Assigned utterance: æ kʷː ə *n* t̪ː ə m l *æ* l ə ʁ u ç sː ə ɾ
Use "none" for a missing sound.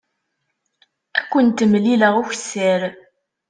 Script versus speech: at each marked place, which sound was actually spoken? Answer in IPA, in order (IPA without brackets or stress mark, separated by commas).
n, i